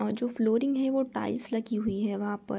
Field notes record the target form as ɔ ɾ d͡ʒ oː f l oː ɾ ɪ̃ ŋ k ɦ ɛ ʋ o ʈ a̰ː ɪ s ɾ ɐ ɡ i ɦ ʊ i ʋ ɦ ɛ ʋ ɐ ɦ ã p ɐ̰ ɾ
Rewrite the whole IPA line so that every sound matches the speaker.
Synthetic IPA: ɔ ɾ d͡ʒ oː f l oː ɾ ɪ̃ ŋ ɡ ɦ ɛ ʋ o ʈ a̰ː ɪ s l ɐ ɡ i ɦ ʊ i ɦ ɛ ʋ ɐ ɦ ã p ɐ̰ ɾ